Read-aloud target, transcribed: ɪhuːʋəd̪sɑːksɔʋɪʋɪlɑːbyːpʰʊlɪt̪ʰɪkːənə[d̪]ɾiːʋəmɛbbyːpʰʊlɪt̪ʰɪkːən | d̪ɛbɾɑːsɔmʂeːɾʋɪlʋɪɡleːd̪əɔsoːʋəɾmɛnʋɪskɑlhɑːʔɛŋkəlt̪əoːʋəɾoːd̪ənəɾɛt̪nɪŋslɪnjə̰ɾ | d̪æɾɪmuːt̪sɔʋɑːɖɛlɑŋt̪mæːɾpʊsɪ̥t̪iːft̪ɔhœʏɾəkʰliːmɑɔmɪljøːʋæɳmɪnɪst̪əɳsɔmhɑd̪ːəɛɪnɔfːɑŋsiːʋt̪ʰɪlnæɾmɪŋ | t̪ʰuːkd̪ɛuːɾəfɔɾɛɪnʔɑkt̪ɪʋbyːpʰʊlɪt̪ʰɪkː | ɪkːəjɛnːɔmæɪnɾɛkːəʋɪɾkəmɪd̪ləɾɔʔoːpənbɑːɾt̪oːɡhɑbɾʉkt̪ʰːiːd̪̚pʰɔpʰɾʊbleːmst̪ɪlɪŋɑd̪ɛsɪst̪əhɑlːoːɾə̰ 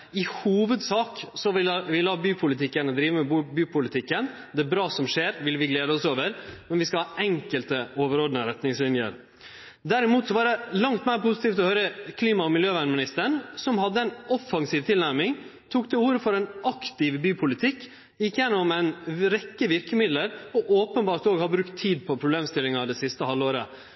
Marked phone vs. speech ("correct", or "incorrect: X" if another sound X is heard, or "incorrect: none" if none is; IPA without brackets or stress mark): correct